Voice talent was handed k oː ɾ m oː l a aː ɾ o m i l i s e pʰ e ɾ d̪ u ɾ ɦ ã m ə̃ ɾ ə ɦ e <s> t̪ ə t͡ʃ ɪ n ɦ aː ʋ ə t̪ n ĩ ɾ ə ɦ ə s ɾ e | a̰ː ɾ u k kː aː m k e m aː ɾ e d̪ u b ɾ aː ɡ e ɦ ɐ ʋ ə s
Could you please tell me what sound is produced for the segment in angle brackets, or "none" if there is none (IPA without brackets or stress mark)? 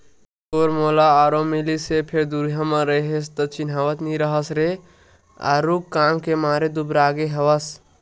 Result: s